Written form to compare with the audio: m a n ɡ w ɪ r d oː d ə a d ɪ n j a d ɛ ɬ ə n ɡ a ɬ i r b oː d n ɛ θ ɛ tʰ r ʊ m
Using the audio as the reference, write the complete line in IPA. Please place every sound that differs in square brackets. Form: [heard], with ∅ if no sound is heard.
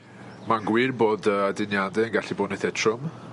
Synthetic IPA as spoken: m a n ɡ w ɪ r [b] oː d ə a d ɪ n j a d ɛ [∅] ə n ɡ a ɬ i [∅] b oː d n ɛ θ ɛ tʰ r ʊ m